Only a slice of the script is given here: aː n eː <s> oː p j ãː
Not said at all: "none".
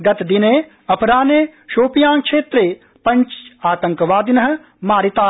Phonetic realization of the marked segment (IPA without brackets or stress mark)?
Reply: ʃ